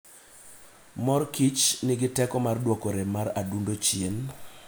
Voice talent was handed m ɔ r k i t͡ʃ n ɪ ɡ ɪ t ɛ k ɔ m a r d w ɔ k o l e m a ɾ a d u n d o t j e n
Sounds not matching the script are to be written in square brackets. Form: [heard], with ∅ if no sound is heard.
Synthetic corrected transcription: m ɔ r k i t͡ʃ n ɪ ɡ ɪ t ɛ k ɔ m a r d w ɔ k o [ɾ] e m a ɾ a d u n d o [t͡ʃ] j e n